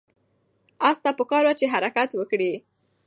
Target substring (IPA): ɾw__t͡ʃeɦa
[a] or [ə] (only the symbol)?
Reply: a